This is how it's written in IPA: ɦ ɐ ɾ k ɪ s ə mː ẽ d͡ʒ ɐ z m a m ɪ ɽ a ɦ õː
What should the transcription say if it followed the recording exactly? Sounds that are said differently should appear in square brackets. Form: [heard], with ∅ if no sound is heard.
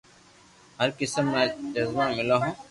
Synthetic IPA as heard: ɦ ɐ ɾ k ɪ s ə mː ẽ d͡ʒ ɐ z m a m ɪ [l] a ɦ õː